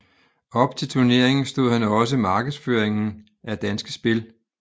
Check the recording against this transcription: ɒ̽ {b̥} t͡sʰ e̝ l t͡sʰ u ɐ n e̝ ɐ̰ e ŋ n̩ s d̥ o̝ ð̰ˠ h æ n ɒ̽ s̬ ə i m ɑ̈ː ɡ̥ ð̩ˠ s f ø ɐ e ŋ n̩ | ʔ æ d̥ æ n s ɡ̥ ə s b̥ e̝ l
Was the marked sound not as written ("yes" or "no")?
no